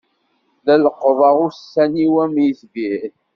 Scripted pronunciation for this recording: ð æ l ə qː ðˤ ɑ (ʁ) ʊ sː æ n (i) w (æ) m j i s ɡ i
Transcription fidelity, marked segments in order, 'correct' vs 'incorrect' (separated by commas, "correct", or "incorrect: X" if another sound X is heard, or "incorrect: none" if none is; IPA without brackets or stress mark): correct, correct, correct